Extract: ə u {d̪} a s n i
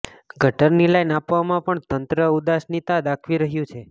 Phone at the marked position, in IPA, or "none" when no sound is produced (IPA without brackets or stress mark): d̪